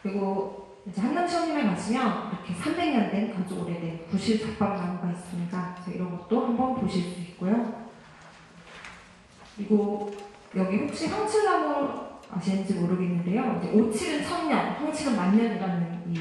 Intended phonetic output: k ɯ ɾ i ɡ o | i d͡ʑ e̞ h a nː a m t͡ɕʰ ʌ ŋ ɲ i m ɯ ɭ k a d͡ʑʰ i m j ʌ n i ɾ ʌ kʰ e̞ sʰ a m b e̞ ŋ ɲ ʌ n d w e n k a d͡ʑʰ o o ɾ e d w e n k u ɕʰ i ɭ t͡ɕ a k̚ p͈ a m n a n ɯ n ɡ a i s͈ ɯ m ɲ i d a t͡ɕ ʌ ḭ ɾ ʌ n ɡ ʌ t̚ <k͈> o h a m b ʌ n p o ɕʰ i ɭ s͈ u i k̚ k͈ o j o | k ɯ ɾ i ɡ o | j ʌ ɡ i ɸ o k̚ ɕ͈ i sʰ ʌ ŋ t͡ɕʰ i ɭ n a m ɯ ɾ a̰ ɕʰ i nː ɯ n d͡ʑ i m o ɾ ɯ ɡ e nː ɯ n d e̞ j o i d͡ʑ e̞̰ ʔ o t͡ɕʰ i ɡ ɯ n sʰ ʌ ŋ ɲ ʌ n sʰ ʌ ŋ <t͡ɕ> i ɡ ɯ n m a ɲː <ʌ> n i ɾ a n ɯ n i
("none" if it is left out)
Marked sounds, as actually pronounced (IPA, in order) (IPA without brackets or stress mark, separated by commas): t͈, t͡ɕʰ, ʌ